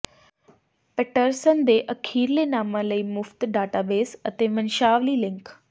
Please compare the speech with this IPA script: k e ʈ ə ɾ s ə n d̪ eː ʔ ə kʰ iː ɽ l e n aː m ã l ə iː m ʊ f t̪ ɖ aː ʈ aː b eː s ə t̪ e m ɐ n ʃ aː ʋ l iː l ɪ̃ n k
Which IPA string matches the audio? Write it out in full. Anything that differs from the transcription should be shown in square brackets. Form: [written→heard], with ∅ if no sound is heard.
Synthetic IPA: [k→p] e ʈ ə ɾ s ə n d̪ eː ʔ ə kʰ iː [ɽ→ɾ] l e n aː m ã l ə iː m ʊ f t̪ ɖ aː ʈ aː b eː s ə t̪ e m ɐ n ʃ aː ʋ l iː l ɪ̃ [n→ŋ] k